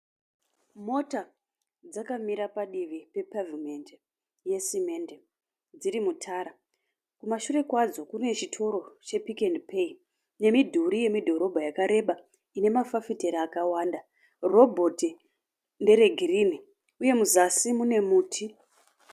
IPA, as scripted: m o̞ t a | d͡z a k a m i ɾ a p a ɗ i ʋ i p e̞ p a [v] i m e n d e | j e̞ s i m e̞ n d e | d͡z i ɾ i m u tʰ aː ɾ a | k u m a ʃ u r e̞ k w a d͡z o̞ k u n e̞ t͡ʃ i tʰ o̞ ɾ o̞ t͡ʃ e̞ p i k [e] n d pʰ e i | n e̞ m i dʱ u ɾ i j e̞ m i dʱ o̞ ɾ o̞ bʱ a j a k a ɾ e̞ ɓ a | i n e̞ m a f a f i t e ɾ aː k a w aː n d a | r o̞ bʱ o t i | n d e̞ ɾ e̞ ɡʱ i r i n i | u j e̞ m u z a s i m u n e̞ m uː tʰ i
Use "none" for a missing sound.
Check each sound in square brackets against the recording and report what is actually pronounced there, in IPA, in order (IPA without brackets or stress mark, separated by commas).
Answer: v, e